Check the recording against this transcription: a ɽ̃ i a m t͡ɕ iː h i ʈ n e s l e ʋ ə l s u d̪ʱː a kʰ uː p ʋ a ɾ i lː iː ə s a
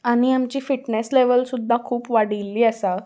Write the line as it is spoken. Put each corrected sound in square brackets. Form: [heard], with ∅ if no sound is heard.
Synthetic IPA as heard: a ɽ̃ i a m t͡ɕ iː [f] i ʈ n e s l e ʋ ə l s u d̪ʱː a kʰ uː p ʋ a [ɽ] i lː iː ə s a